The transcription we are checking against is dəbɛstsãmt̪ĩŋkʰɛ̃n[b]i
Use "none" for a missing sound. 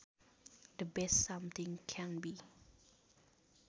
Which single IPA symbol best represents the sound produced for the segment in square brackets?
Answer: b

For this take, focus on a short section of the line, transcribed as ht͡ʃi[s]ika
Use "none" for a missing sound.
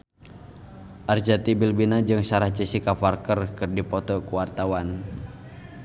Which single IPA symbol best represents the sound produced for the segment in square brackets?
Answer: s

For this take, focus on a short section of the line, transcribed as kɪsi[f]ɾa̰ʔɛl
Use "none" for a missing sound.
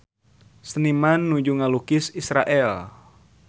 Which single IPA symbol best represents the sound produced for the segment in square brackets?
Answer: s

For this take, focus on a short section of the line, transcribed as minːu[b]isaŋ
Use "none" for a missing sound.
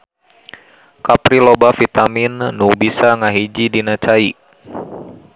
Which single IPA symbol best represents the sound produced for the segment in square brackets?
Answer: b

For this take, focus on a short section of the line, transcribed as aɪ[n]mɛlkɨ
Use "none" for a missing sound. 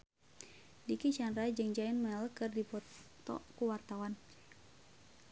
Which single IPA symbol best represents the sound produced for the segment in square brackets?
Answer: n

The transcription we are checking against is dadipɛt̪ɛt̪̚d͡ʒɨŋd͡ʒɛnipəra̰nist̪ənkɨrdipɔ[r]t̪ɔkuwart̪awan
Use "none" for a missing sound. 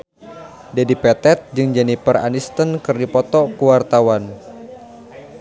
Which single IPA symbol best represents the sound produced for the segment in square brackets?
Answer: none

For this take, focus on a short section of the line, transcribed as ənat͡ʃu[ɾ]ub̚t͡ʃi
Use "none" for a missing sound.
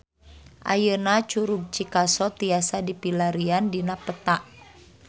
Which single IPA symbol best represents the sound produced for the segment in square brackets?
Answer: ɾ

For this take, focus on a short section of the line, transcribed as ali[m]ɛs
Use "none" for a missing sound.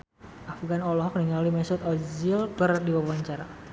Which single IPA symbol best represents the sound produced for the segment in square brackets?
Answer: m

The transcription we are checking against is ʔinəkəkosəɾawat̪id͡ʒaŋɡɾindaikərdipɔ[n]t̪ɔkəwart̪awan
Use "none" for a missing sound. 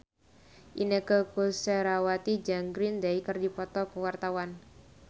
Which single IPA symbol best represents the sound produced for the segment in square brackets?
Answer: none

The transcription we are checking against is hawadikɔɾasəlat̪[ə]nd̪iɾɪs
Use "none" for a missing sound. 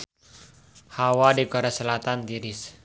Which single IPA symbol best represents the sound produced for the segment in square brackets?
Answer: a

